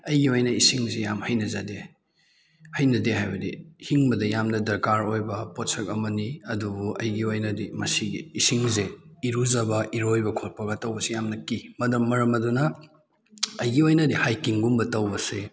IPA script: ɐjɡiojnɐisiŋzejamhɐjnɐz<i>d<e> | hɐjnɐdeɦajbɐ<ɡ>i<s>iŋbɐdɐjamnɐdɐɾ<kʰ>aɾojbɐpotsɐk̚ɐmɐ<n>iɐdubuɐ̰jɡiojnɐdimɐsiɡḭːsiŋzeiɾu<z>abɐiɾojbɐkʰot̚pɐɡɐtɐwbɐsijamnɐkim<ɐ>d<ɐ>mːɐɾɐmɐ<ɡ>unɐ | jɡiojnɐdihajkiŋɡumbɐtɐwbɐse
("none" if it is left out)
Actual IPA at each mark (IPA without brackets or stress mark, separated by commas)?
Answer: a, e, d, h, k, n, z, ɐ, ɐ, d